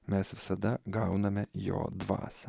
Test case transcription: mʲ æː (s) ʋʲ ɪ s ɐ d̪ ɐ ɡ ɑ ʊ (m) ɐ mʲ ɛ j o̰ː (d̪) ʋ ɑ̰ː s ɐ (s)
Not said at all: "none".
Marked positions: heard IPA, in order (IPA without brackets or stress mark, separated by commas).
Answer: s, n, d̪, none